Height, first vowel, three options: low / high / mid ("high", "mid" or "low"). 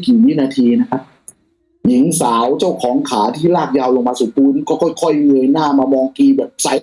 high